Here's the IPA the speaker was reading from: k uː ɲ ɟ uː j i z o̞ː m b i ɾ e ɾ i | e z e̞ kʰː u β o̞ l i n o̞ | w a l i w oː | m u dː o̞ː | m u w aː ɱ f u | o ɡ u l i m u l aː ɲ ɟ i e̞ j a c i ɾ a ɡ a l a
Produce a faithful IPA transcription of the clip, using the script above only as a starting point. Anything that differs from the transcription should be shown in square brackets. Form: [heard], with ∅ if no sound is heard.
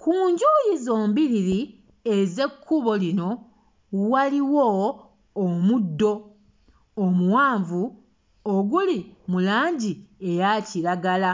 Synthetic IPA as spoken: k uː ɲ ɟ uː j i z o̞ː m b i ɾ [i] ɾ i | e z e̞ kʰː u β o̞ l i n o̞ | w a l i w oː | m u dː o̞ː | m u w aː ɱ [v] u | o ɡ u l i m u l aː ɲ ɟ i e̞ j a c i ɾ a ɡ a l a